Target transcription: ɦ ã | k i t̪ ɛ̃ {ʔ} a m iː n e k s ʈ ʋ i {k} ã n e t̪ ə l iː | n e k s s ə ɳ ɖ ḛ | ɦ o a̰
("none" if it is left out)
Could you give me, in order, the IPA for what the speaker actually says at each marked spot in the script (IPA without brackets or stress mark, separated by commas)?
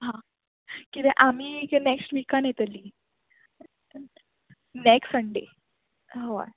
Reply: ʔ, k